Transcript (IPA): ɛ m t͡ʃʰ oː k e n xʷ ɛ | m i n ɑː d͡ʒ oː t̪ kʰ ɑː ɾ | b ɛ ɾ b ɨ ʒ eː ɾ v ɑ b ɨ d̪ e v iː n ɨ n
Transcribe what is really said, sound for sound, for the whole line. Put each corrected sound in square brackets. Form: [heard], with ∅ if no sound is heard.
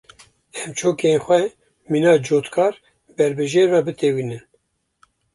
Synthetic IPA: ɛ m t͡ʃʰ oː k e n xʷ ɛ | m i n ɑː d͡ʒ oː t̪ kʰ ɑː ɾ | b ɛ ɾ b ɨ ʒ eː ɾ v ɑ b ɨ [t̪] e [w] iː n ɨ n